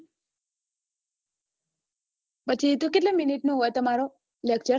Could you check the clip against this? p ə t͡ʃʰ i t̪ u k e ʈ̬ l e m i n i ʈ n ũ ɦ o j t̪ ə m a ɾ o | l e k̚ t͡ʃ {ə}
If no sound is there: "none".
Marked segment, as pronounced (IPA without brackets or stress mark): ə